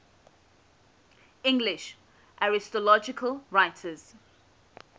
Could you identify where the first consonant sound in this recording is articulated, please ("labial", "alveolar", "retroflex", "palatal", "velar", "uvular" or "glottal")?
velar